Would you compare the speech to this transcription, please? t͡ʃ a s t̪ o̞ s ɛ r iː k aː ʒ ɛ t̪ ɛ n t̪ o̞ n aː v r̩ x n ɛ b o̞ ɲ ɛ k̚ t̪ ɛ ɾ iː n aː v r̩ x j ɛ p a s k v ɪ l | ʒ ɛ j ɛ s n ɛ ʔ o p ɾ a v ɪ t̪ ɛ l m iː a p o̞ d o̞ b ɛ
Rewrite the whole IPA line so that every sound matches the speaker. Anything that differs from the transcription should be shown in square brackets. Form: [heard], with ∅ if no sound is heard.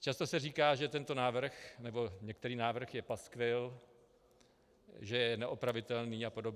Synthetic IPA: t͡ʃ a s t̪ o̞ s ɛ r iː k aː ʒ ɛ t̪ ɛ n t̪ o̞ n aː v r̩ x n ɛ b o̞ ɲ ɛ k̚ t̪ ɛ ɾ iː n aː v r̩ x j ɛ p a s k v ɪ l | ʒ ɛ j ɛ [∅] n ɛ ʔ o p ɾ a v ɪ t̪ ɛ l [n] iː a p o̞ d o̞ b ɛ